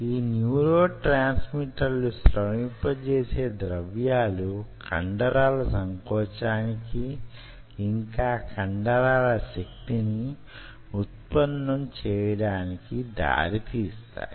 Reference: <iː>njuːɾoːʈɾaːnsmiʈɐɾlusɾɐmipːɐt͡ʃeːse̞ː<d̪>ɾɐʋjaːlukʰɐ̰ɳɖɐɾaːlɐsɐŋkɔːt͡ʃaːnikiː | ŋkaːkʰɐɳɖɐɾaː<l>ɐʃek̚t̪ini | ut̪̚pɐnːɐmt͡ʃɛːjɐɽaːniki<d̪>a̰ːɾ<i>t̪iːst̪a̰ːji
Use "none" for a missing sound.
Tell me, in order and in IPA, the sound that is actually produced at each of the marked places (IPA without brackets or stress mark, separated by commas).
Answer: iː, d̪, l, d̪, i